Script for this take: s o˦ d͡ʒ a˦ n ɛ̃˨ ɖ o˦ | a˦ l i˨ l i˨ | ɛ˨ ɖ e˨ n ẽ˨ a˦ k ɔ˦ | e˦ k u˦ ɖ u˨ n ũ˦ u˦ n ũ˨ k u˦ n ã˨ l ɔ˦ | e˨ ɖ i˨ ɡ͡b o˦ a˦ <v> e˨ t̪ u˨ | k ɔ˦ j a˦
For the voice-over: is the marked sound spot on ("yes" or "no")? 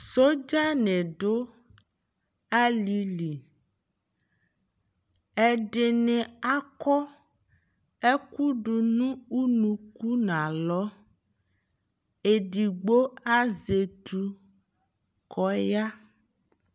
no